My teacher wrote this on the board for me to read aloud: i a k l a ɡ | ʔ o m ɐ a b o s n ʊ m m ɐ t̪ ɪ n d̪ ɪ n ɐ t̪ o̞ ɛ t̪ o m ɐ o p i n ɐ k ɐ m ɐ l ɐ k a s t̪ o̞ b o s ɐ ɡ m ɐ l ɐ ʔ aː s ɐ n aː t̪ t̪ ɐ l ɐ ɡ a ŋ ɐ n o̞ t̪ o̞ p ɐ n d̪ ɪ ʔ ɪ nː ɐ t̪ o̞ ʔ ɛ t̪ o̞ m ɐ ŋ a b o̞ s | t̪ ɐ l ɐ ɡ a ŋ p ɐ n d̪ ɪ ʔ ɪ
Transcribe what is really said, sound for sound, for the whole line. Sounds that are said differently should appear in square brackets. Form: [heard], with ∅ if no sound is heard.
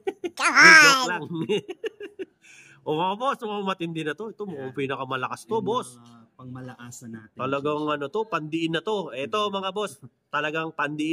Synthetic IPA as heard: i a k l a [ŋ] | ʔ o m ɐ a b o s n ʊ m m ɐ t̪ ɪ n d̪ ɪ n ɐ t̪ o̞ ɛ t̪ o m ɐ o p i n ɐ k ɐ m ɐ l ɐ k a s t̪ o̞ b o s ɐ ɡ m ɐ l ɐ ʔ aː s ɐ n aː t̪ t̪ ɐ l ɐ ɡ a ŋ ɐ n o̞ t̪ o̞ p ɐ n d̪ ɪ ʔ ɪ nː ɐ t̪ o̞ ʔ ɛ t̪ o̞ m ɐ ŋ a b o̞ s | t̪ ɐ l ɐ ɡ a ŋ p ɐ n d̪ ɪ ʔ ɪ